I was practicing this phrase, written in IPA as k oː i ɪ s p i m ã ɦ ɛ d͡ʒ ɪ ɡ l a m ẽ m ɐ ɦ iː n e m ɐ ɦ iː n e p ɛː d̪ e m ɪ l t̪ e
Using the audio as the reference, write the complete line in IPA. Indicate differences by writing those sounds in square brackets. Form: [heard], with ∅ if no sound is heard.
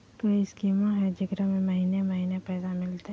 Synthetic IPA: k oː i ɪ s [k] i m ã ɦ ɛ d͡ʒ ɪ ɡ [ɾ] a m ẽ m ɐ ɦ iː n e m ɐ ɦ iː n e p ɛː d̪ [a] m ɪ l t̪ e

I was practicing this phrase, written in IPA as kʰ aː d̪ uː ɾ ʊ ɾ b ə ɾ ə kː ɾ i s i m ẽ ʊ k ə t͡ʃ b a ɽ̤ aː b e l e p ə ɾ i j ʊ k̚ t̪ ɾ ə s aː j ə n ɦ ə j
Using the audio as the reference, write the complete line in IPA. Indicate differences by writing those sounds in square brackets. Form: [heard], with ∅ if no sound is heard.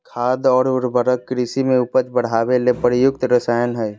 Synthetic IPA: kʰ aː d̪ [ɔː] ɾ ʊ ɾ b ə ɾ ə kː ɾ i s i m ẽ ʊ [p] ə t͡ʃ b [ə] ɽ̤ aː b e l e p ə ɾ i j ʊ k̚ t̪ ɾ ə s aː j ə n ɦ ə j

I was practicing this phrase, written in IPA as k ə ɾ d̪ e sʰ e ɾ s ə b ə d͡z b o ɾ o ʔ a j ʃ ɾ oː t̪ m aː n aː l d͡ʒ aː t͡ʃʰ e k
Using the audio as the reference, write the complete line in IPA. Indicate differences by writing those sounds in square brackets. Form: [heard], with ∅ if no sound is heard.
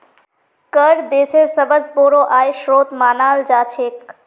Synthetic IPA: k ə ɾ d̪ e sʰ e ɾ s ə b ə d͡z b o ɾ o ʔ a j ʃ ɾ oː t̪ m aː n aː l d͡ʒ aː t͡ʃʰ e k

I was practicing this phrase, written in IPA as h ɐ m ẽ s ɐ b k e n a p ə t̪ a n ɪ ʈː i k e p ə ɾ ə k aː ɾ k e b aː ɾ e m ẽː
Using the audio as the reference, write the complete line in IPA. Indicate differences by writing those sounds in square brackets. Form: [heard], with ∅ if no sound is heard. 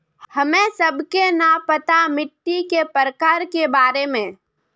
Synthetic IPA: h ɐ m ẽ s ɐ b k e n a p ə t̪ a [m] ɪ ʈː i k e p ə ɾ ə k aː ɾ k e b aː ɾ e m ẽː

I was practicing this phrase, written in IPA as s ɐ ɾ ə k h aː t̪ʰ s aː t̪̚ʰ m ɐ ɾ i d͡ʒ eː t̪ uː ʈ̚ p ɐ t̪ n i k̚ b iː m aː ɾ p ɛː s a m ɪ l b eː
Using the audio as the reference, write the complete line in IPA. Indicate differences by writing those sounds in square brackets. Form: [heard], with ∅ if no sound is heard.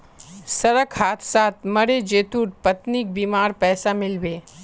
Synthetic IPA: s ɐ ɾ ə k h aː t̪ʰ s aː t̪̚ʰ m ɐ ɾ [e] d͡ʒ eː t̪ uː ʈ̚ p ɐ t̪ n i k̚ b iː m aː ɾ p ɛː s a m ɪ l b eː

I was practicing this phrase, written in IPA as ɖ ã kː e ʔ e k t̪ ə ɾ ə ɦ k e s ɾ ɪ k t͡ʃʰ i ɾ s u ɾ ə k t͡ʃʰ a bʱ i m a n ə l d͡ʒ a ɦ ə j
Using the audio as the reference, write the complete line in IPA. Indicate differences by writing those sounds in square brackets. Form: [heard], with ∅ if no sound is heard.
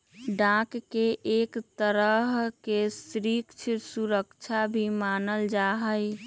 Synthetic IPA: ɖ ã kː e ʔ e k t̪ ə ɾ ə ɦ k e s ɾ [i] k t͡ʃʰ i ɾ s u ɾ ə k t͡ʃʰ a bʱ i m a n ə l d͡ʒ a ɦ ə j

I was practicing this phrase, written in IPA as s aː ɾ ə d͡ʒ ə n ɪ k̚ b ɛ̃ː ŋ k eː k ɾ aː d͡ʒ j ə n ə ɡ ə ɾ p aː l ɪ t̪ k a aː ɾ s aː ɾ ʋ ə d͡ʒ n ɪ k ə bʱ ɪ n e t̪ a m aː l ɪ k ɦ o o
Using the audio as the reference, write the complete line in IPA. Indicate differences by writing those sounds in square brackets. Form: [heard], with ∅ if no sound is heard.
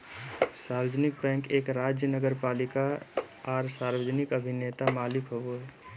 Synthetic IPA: s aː ɾ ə d͡ʒ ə n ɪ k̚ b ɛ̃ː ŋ k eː k ɾ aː d͡ʒ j ə n ə ɡ ə ɾ p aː l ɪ [∅] k a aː ɾ s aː ɾ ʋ ə d͡ʒ n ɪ k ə bʱ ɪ n e t̪ a m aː l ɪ k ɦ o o

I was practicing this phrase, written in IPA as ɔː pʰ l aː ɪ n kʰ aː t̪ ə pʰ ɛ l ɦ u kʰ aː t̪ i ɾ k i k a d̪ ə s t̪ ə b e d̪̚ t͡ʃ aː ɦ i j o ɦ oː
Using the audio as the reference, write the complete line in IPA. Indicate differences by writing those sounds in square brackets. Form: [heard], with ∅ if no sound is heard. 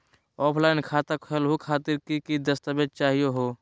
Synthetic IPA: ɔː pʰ l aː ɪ n kʰ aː t̪ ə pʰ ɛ l ɦ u kʰ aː t̪ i ɾ k i k [i] d̪ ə s t̪ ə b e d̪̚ t͡ʃ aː ɦ i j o ɦ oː

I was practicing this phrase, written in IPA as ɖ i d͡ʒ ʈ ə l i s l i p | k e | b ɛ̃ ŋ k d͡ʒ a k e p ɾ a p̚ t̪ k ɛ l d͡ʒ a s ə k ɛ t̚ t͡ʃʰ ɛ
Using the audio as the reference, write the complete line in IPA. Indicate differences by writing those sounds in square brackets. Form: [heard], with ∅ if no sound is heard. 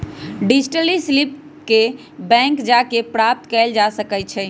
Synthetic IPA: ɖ i d͡ʒ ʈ ə l i s l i p | k e | b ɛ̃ ŋ k d͡ʒ a k e p ɾ a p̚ t̪ k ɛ l d͡ʒ a s ə k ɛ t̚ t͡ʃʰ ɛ

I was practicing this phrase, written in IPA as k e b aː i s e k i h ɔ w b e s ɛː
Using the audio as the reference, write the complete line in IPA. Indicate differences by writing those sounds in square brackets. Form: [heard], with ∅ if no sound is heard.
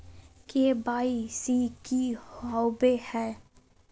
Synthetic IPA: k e b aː i s [i] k i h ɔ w b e [h] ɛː

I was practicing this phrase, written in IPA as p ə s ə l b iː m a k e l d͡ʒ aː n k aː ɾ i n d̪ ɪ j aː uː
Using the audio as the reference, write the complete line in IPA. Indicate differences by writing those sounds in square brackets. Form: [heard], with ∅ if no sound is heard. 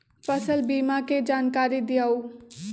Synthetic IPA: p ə s ə l b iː m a k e [∅] d͡ʒ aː n k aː ɾ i [∅] d̪ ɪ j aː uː

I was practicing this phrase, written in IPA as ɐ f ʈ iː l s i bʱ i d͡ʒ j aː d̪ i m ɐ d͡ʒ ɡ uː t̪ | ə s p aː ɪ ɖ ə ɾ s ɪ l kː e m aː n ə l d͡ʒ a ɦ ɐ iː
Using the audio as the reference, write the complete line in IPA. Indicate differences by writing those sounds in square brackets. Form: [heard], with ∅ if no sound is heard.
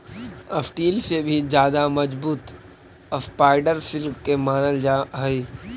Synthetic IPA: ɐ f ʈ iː l s [e] bʱ i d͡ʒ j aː d̪ [a] m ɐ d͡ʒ [b] uː t̪ | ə s p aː ɪ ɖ ə ɾ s ɪ l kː e m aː n ə l d͡ʒ a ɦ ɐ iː

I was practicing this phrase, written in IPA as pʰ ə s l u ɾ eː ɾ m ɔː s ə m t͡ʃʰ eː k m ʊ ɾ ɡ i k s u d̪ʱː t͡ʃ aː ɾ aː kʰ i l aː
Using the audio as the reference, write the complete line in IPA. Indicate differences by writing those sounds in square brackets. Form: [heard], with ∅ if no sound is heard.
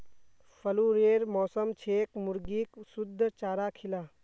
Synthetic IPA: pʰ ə [∅] l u ɾ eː ɾ m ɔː s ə m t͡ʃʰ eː k m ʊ ɾ ɡ i k s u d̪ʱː t͡ʃ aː ɾ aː kʰ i l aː

